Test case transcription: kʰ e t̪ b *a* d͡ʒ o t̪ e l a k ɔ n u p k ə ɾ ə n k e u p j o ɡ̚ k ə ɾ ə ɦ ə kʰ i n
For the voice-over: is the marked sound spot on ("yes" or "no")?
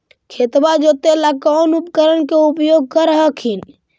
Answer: yes